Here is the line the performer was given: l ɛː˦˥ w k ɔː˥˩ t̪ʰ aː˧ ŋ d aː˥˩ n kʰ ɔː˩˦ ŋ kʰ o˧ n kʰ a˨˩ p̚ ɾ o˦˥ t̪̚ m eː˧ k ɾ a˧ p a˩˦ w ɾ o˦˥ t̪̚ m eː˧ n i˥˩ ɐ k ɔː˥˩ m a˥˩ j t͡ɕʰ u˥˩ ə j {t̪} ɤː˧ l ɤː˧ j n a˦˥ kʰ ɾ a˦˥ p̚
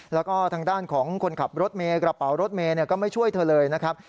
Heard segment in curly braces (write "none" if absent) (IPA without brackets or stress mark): t̪ʰ